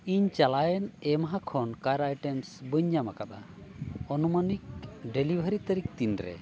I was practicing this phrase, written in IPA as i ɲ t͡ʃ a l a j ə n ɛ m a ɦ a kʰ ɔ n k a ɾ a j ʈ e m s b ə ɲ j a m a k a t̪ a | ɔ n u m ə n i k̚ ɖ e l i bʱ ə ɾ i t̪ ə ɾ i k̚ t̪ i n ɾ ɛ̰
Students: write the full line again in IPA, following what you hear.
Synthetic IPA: i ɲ t͡ʃ a l a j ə n ɛ m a ɦ a kʰ ɔ n k a ɾ a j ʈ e m s b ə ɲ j a m a k a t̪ a | ɔ n u m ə n i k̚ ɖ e l i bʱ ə ɾ i t̪ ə ɾ i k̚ t̪ i n ɾ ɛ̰

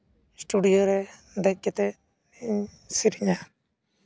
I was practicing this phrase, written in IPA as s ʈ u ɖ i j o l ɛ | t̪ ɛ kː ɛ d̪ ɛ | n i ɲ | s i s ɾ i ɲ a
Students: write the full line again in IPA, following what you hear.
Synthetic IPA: s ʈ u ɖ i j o ɾ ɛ | d̪ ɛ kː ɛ t̪ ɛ | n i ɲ | s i ɾ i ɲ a

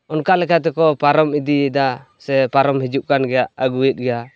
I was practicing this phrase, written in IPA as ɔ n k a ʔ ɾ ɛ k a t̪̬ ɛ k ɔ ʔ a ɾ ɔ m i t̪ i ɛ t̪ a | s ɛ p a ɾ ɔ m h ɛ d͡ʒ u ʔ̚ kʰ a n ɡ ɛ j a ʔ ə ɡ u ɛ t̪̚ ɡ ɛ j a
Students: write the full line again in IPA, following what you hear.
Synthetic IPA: ɔ n k a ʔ l ɛ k a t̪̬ ɛ k ɔ p a ɾ ɔ m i d̪ i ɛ d̪ a | s ɛ p a ɾ ɔ m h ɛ d͡ʒ u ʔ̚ k a n ɡ ɛ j a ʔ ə ɡ u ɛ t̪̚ ɡ ɛ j a

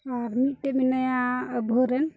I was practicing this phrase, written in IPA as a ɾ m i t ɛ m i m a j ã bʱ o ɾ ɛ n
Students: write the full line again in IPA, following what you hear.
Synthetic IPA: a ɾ m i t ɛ m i n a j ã bʱ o ɾ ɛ n

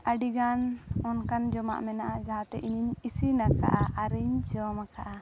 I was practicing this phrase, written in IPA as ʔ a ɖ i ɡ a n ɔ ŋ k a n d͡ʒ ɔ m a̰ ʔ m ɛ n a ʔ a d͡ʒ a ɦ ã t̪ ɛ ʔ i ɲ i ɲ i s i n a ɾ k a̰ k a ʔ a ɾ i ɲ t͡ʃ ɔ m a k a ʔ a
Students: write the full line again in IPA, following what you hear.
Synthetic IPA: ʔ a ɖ i ɡ a n ɔ n k a n d͡ʒ ɔ m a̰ ʔ m ɛ n a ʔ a d͡ʒ a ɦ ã t̪ ɛ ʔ i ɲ i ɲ i s i n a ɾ k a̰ ʔ a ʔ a ɾ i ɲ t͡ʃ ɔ m a k a ʔ a

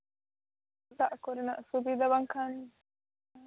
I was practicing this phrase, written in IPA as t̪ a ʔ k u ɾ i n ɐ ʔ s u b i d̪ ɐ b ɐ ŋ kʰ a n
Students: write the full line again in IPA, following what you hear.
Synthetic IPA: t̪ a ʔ k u ɾ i n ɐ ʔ s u b i d̪ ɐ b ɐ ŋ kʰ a n

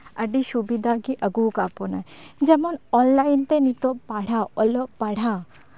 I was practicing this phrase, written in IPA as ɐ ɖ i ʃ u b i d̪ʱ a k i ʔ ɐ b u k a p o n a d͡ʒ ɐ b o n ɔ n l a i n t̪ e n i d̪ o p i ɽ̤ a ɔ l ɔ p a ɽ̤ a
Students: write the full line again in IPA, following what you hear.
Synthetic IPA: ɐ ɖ i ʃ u b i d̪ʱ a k i ʔ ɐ ɡ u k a p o n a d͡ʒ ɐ m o n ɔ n l a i n t̪ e n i t̪ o p a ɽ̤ a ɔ l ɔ p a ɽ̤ a

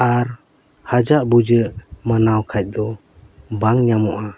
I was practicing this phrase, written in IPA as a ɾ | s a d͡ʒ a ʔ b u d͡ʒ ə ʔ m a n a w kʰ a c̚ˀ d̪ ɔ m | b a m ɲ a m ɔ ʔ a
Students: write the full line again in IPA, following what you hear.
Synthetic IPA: a ɾ | h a d͡ʒ a ʔ b u d͡ʒ ə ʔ m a n a w kʰ a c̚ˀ d̪ ɔ | b a ŋ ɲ a m ɔ ʔ a

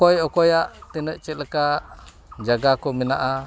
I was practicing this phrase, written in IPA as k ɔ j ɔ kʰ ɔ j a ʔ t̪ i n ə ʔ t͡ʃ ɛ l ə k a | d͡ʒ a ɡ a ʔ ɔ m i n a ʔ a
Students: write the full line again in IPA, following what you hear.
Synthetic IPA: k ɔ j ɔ k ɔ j a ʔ t̪ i n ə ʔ t͡ʃ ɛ l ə k a | d͡ʒ a ɡ a k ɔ m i n a ʔ a

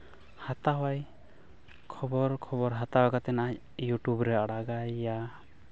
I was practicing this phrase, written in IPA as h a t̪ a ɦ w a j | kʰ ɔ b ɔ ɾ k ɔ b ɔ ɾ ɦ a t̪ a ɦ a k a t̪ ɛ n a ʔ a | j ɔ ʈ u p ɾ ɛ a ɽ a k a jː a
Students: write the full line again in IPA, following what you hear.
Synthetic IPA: h a t̪ a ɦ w a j | kʰ ɔ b ɔ ɾ kʰ ɔ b ɔ ɾ ɦ a t̪ a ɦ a k a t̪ ɛ n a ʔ a | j u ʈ u b ɾ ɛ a ɽ a ɡ a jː a

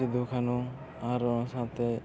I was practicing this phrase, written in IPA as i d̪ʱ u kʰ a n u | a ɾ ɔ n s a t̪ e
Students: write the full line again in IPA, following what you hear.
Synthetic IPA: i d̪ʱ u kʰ a n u | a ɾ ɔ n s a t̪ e

